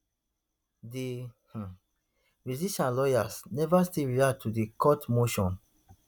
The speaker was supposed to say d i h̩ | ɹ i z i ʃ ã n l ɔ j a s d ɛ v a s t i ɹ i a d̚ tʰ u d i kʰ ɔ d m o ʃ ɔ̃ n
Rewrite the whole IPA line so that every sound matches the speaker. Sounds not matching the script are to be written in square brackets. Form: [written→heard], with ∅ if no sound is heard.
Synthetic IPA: d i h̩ | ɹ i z i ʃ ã n l ɔ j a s [d→n] ɛ v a s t i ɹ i a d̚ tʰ u d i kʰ ɔ [d→t] m o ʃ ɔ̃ n